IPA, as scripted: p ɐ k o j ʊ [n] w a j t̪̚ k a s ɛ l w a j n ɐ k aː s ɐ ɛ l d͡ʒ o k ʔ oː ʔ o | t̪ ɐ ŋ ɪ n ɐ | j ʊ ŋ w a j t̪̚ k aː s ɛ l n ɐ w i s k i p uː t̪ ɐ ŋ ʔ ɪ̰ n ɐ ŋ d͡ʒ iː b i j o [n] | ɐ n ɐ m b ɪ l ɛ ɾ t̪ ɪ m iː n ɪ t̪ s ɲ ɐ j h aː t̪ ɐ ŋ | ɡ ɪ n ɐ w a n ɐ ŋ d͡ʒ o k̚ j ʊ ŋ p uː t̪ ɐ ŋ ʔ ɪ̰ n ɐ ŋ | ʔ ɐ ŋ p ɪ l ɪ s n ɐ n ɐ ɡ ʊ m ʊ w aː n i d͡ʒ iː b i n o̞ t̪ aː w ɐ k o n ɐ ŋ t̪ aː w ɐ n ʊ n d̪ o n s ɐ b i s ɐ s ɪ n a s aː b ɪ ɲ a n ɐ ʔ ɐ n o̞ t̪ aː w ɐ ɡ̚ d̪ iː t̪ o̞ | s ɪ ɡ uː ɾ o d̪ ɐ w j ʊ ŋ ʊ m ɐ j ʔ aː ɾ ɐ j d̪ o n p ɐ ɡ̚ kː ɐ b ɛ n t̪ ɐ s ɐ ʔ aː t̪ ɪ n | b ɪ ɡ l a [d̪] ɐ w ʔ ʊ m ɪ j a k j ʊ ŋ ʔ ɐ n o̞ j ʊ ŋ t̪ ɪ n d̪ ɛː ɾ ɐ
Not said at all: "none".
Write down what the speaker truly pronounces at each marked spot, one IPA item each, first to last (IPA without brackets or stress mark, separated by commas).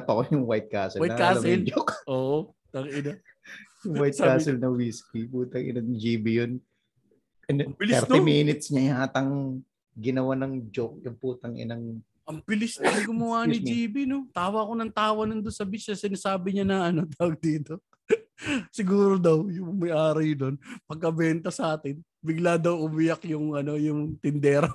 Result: ŋ, n, d̪